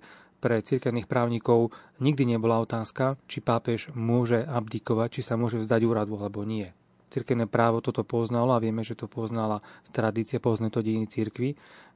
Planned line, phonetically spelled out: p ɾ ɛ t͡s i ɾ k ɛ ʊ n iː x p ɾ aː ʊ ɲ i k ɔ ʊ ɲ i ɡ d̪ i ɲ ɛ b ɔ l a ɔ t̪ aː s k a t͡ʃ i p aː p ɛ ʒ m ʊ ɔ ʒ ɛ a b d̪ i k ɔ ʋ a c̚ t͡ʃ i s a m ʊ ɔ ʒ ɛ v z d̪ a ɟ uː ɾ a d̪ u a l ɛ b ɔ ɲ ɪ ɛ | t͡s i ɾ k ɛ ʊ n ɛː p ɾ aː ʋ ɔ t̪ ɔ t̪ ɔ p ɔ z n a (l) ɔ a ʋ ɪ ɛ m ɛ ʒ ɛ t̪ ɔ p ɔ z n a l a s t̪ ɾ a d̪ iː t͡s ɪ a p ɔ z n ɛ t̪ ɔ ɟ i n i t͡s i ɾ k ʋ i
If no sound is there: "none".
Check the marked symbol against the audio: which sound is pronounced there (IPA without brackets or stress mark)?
l